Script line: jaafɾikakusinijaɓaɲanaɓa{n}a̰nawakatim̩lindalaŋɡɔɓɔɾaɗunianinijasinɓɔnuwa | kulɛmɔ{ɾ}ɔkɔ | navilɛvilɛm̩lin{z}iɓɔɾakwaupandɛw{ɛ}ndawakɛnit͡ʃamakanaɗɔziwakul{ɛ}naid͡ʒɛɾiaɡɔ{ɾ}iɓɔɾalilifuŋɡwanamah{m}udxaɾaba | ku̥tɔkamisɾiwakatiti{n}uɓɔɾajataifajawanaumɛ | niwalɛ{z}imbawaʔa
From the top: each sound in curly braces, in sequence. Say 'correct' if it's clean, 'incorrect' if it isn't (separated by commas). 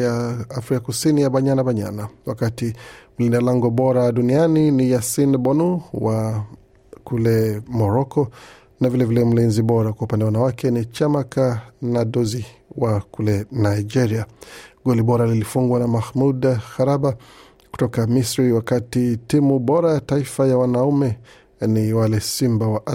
incorrect, correct, correct, incorrect, correct, incorrect, correct, incorrect, incorrect